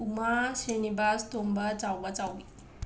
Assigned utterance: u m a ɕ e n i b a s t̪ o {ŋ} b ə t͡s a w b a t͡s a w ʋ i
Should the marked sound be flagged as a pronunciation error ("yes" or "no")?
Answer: yes